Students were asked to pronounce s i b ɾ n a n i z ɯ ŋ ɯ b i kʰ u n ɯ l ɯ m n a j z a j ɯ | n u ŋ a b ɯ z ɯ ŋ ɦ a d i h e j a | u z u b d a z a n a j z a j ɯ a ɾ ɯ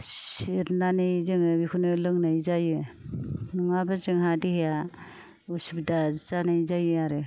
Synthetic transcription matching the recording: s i ɾ n a n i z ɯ ŋ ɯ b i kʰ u n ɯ l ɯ ŋ n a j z a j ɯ | n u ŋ a b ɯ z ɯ ŋ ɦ a d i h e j a | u s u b d a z a n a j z a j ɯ a ɾ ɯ